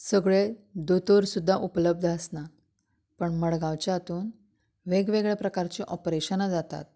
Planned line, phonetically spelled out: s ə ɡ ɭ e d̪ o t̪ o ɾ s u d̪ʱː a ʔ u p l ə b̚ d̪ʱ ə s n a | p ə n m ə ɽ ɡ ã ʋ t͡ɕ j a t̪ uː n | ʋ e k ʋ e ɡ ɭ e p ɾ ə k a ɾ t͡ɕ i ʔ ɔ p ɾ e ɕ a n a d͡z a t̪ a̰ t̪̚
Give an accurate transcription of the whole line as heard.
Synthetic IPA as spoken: s ə ɡ ɭ e d̪ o t̪ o ɾ s u d̪ʱː a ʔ u p l ə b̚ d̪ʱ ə s n a | p ə ɳ m ə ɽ ɡ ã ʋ t͡ɕ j a t̪ uː n | ʋ e ɡ ʋ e ɡ ɭ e p ɾ ə k a ɾ t͡ɕ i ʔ ɔ p ɾ e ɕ ə n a d͡z a t̪ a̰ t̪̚